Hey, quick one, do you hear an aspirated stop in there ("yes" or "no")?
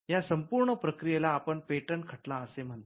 yes